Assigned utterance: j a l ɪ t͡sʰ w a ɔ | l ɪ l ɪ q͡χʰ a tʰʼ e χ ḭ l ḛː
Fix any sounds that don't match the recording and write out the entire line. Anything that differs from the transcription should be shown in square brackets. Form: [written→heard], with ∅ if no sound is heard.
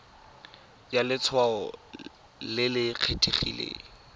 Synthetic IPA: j a l ɪ t͡sʰ w a ɔ | l ɪ l ɪ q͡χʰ [a→e] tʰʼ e χ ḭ l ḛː